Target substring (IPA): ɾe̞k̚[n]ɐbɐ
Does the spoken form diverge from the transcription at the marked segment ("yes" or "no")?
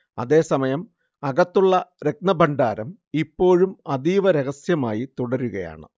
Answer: no